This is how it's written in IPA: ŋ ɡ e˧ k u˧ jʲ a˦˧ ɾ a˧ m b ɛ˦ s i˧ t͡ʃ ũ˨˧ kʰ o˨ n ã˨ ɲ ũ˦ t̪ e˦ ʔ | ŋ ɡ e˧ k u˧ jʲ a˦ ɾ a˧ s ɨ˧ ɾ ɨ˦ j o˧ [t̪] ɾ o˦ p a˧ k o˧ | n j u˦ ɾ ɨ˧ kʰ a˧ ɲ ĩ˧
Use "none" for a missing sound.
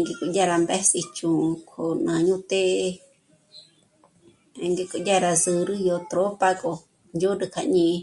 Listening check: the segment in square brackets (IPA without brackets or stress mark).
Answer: t̪